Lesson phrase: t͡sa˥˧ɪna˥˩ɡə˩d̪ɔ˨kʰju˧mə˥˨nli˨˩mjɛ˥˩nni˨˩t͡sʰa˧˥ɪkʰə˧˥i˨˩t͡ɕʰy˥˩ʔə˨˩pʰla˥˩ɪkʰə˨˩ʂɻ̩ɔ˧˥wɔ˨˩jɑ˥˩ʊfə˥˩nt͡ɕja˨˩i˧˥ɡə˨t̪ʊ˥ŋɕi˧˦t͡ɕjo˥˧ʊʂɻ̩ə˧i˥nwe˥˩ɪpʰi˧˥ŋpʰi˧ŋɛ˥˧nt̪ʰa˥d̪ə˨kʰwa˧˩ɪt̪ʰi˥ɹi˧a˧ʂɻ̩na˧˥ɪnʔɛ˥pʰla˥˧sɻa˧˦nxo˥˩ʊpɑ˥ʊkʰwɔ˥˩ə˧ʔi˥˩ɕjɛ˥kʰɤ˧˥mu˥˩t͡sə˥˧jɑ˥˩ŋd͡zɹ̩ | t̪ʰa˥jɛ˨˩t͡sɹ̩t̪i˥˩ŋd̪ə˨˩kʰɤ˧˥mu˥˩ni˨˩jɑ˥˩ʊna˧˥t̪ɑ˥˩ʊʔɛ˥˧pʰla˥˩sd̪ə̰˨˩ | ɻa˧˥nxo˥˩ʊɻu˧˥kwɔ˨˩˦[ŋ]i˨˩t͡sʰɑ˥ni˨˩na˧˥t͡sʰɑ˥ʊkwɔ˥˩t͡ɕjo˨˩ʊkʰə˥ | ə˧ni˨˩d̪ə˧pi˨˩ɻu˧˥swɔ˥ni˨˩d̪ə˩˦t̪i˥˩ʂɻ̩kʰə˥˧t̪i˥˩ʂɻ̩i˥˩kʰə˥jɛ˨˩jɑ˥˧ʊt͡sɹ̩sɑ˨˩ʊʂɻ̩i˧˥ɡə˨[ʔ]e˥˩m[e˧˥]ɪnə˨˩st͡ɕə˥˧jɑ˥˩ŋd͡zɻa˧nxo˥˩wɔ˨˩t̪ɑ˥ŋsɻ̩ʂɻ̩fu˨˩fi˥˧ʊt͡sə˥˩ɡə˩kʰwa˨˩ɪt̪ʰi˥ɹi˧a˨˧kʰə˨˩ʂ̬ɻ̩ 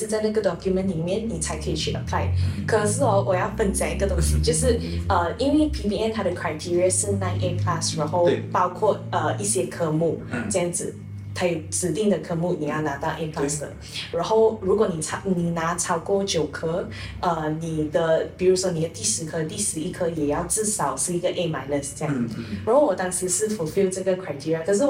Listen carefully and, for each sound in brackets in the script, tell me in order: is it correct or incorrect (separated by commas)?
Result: incorrect, correct, incorrect